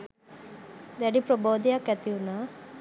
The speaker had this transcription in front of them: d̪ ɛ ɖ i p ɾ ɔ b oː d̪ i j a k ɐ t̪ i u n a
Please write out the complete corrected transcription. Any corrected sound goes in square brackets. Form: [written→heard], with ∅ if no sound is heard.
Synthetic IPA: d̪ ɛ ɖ i p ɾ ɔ b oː d̪ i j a k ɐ t̪ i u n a